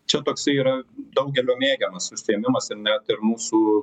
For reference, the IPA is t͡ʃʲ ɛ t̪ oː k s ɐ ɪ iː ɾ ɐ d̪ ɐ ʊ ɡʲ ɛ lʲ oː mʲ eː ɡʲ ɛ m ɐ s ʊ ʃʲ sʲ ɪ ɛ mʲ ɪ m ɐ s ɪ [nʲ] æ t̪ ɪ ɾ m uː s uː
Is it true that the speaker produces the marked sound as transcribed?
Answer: yes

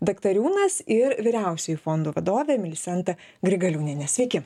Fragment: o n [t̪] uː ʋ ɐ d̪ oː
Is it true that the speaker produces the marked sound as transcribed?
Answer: no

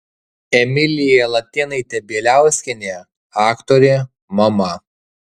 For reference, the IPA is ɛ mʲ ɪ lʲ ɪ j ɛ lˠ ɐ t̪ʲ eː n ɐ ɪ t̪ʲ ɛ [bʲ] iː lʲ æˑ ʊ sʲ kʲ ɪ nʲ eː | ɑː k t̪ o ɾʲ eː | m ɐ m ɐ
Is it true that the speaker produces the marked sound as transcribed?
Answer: yes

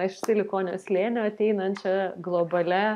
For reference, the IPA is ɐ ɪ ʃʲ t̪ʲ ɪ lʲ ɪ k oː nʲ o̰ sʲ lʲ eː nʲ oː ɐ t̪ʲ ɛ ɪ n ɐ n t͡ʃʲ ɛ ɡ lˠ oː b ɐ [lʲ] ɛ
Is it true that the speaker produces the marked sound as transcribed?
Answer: yes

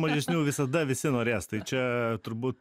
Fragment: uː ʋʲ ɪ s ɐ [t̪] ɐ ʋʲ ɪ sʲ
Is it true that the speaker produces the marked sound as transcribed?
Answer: no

